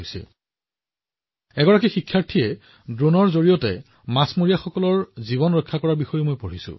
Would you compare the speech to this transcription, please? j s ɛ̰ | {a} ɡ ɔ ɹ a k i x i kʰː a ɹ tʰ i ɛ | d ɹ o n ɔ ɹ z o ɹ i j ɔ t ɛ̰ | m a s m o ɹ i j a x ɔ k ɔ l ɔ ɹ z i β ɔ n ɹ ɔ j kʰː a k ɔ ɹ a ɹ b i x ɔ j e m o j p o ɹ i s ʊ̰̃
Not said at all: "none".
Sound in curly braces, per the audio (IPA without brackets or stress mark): ɛ